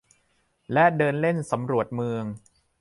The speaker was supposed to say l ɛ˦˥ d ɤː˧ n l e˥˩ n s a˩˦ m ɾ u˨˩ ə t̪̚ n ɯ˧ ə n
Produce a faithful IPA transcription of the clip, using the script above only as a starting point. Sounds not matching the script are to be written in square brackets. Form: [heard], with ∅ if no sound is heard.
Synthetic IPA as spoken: l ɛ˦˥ d ɤː˧ n l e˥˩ n s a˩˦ m ɾ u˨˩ ə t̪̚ [m] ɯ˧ ə [ŋ]